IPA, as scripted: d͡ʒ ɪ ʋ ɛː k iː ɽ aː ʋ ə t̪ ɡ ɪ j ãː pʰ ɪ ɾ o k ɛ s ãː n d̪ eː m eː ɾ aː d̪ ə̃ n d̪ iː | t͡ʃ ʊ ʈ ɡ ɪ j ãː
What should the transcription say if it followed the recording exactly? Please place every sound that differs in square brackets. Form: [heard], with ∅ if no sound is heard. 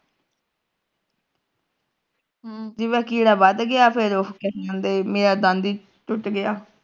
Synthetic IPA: d͡ʒ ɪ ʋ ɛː k iː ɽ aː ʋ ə [d̪] ɡ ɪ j [aː] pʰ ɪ ɾ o k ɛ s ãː n d̪ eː m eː ɾ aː d̪ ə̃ n d̪ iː | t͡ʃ ʊ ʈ ɡ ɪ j [aː]